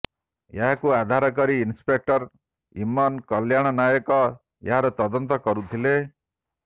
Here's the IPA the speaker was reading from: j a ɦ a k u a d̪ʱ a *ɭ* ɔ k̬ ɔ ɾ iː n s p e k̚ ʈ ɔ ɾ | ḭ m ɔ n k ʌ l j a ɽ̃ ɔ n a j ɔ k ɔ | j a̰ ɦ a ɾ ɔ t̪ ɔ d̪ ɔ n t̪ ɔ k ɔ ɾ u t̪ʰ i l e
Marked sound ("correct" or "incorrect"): incorrect